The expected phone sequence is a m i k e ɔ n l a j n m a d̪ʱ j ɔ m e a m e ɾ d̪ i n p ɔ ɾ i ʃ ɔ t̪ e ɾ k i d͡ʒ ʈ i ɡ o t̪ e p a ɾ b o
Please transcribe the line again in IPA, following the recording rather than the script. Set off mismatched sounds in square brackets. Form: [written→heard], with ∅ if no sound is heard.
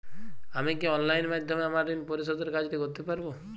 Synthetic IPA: a m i k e ɔ n l a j n m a d̪ʱ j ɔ m e a m [e→a] ɾ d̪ i n p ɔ ɾ i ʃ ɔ [t̪→d̪] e ɾ k [i→a] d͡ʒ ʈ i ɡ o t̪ e p a ɾ b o